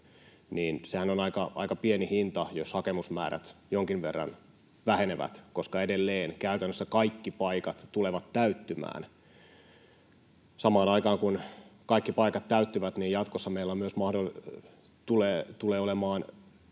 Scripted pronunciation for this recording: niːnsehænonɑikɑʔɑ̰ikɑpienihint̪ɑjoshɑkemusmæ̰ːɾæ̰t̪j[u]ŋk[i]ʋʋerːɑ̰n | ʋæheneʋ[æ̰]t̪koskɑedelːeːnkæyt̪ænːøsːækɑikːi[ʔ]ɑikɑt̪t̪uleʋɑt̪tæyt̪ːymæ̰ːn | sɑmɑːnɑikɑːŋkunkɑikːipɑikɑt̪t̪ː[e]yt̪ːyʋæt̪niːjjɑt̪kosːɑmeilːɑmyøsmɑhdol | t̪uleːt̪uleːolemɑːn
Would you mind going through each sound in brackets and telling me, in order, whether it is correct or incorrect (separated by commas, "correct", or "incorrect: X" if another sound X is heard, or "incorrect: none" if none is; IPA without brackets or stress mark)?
incorrect: o, correct, correct, incorrect: p, incorrect: æ